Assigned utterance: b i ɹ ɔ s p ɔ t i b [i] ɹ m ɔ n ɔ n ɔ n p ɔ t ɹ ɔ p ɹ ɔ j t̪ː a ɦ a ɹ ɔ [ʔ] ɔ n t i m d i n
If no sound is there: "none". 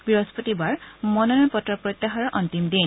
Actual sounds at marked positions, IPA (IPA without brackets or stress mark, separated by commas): a, ʔ